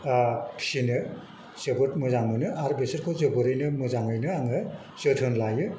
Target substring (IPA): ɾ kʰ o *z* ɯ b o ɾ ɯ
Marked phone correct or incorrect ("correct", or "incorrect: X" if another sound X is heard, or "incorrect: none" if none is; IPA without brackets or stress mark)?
correct